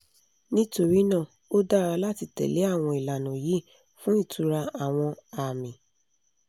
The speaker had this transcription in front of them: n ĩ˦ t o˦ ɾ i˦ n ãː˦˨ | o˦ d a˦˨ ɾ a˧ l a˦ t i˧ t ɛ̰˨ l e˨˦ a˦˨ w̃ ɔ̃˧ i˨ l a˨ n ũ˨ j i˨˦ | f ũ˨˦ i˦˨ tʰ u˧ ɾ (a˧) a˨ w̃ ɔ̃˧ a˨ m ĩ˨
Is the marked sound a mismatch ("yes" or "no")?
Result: no